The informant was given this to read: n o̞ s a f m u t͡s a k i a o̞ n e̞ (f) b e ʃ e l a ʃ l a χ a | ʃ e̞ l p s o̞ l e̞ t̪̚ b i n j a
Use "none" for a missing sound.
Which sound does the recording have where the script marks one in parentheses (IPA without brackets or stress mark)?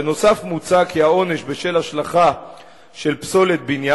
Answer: ʃ